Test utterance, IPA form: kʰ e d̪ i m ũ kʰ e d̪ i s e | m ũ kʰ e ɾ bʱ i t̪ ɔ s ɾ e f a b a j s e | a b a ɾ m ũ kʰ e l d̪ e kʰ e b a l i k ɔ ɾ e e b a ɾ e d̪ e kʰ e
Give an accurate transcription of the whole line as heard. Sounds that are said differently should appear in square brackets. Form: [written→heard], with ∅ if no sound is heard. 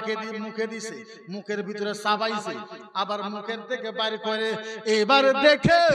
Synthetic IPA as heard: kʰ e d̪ i m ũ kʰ e d̪ i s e | m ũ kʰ e ɾ bʱ i t̪ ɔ [s→∅] ɾ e [f→s] a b a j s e | a b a ɾ m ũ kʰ e [l→ɾ] d̪ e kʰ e b a [l→ɾ] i k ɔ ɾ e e b a ɾ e d̪ e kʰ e